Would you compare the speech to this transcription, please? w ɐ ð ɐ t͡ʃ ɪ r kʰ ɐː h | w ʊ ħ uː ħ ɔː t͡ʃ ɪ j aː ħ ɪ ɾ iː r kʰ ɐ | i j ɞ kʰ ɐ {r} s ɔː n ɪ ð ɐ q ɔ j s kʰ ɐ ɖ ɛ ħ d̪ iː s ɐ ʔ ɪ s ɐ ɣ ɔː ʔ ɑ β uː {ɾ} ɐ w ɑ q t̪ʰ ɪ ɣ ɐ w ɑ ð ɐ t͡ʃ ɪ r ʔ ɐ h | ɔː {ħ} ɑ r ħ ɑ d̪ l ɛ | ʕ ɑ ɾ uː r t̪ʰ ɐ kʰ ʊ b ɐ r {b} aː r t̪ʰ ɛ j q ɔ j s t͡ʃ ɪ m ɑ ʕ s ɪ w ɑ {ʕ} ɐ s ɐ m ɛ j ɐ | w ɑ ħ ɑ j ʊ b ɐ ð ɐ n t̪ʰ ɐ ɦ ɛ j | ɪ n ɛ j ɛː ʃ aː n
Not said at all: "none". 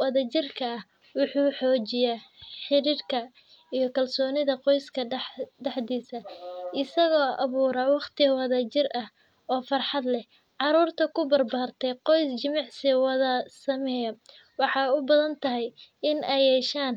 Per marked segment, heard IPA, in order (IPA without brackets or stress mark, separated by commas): l, ɾ, f, b, ð